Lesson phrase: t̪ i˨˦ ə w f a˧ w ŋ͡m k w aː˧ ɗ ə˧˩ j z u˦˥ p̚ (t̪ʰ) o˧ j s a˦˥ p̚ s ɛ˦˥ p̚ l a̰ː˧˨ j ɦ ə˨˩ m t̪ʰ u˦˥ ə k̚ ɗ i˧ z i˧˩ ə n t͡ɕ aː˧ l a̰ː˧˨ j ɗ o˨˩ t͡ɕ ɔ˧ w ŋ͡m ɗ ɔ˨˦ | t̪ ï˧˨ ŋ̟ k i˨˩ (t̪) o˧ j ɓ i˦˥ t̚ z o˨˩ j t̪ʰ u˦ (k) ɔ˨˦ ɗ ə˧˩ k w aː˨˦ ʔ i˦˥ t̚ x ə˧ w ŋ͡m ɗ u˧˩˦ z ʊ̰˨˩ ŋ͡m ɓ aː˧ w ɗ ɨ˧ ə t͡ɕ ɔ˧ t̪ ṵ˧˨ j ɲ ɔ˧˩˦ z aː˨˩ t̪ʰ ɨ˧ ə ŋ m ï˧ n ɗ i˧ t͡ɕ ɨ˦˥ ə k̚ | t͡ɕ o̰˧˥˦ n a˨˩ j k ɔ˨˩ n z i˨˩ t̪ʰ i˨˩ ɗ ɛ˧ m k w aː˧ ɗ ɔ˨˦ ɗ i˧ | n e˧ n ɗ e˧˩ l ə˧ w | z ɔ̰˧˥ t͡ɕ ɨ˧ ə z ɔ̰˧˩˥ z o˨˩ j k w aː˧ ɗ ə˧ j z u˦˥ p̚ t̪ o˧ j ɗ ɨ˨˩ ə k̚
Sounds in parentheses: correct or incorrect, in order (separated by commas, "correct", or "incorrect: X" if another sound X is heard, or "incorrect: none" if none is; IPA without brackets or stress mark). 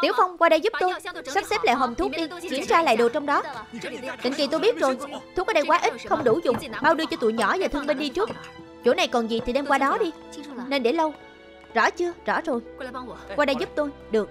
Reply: incorrect: t̪, correct, correct